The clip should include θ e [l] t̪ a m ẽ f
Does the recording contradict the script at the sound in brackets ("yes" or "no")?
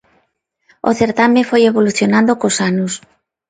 yes